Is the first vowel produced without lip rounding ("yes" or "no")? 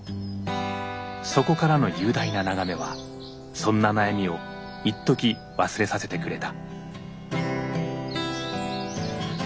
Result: no